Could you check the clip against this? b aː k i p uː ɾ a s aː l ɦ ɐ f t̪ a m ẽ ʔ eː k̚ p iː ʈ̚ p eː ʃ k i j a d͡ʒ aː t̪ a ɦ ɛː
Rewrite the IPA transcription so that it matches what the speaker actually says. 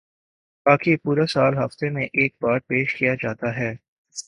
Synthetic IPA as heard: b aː k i p uː ɾ a s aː l ɦ ɐ f t̪ e m ẽ ʔ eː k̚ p aː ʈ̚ p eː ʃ k i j a d͡ʒ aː t̪ a ɦ ɛː